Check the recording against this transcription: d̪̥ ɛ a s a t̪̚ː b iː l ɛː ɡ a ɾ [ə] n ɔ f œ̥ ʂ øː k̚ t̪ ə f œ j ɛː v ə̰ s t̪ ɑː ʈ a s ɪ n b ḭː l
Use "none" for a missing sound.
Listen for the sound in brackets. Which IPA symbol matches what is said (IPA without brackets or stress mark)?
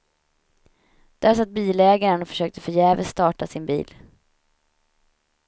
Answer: ə